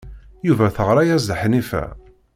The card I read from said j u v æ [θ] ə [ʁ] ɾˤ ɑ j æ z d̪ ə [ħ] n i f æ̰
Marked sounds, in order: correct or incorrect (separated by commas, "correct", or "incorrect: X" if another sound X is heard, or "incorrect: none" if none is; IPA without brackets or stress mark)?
correct, correct, correct